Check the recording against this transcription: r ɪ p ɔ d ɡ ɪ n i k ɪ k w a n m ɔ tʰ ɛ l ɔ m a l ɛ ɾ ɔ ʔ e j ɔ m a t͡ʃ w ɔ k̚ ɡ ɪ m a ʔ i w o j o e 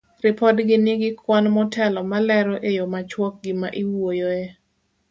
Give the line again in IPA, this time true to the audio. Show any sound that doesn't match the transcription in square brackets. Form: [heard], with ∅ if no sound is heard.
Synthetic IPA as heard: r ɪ p ɔ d ɡ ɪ n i [ɡ] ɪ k w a n m ɔ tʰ ɛ l ɔ m a l ɛ ɾ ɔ ʔ e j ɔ m a t͡ʃ w ɔ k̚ ɡ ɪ m a ʔ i w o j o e